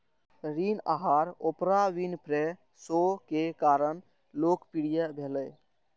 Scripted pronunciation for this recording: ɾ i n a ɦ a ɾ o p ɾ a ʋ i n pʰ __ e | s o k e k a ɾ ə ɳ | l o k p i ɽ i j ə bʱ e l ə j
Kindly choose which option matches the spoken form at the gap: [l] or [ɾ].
ɾ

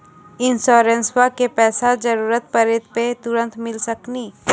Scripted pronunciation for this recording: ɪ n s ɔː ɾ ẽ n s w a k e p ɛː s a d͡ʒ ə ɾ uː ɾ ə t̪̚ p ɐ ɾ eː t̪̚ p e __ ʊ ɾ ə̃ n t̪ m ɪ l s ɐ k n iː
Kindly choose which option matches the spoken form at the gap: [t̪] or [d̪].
t̪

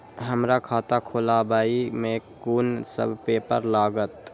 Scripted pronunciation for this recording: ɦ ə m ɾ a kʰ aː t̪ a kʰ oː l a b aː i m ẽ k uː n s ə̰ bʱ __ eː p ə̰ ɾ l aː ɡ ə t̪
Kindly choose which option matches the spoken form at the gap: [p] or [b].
p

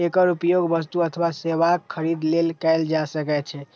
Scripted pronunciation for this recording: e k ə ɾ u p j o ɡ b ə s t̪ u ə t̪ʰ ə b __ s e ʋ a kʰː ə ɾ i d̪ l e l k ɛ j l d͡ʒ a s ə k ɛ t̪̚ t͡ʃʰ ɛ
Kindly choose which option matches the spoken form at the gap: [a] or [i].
a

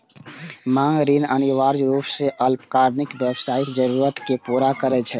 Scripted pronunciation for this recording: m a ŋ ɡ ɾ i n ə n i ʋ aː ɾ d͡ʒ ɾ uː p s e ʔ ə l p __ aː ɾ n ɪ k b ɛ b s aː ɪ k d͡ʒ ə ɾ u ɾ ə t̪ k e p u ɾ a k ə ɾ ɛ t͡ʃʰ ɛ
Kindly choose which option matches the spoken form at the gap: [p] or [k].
k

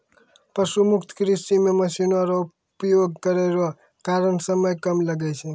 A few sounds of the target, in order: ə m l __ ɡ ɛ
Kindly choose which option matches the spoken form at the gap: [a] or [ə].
ə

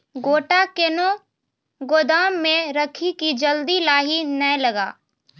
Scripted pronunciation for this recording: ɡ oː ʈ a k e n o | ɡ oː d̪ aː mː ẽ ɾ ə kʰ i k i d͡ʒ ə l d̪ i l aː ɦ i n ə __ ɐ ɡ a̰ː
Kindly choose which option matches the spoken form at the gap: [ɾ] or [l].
l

